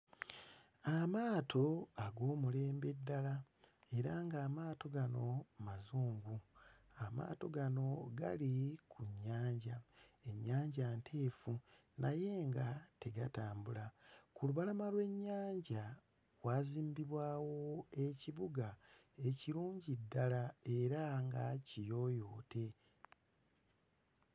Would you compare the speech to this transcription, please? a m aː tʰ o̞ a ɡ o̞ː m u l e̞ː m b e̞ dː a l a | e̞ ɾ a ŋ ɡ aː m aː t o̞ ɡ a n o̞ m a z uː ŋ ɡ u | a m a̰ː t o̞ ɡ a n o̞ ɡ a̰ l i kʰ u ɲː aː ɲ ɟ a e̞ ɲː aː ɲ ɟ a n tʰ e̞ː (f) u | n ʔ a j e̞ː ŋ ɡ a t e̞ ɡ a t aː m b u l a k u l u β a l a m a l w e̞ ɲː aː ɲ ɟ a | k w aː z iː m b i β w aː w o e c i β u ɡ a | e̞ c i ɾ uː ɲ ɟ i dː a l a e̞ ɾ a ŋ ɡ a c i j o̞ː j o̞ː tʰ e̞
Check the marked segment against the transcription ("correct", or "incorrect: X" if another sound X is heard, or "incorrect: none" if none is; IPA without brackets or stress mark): correct